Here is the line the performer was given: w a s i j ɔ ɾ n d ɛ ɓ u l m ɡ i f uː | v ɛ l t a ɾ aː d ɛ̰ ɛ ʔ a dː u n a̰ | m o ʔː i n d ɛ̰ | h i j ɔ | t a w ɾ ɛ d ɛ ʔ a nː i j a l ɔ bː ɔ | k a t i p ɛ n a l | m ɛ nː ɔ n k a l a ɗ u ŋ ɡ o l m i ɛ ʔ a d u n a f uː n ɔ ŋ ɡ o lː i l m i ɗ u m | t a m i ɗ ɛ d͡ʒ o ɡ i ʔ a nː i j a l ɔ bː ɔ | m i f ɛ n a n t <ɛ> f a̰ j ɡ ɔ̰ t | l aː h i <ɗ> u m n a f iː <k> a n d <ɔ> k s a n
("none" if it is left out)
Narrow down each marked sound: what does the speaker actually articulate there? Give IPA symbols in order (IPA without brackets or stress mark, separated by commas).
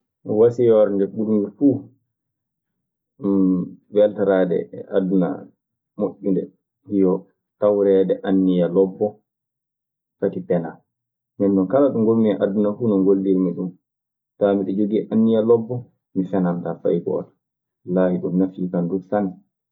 a, ɗ, k, u